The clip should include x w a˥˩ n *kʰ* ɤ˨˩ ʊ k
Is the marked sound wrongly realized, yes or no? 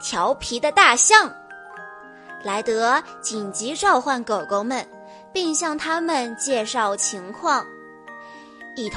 yes